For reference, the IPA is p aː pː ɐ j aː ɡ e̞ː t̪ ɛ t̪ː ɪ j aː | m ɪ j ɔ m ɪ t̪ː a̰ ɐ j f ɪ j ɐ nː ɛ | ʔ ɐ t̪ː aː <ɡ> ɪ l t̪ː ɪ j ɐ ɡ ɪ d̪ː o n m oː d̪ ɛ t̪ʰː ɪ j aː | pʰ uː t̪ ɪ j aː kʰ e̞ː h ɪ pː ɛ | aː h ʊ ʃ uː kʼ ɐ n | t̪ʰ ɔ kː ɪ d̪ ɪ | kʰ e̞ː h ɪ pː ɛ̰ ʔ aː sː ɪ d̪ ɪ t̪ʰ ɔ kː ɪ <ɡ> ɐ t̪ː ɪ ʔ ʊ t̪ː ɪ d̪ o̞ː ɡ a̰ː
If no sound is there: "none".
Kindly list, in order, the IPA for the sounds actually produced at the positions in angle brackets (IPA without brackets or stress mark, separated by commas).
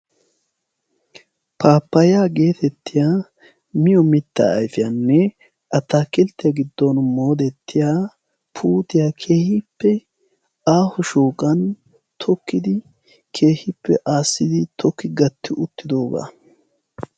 k, ɡ